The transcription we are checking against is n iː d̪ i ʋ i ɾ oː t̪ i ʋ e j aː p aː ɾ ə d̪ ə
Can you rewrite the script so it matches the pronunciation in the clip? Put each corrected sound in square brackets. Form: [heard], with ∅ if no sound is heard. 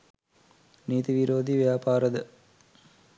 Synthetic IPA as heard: n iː [t̪] i ʋ i ɾ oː [d̪] i ʋ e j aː p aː ɾ ə d̪ ə